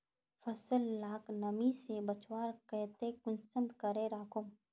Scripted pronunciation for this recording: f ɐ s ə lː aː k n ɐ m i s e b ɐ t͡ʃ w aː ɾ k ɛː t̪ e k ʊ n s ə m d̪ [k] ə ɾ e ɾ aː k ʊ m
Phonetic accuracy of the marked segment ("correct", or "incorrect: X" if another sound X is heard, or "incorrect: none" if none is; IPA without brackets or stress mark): correct